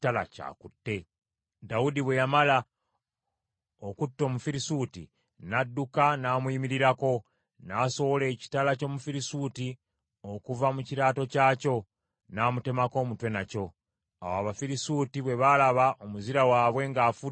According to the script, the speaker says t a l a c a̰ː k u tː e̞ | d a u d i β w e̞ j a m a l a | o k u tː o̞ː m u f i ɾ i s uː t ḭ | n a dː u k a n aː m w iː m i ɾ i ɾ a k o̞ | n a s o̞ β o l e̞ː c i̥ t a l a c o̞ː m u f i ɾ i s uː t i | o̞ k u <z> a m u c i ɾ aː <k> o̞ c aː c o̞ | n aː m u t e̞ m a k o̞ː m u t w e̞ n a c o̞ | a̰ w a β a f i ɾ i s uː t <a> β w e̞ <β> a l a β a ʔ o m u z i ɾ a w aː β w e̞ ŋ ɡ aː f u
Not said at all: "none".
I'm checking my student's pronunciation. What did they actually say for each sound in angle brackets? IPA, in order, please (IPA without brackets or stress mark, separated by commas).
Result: v, t, i, β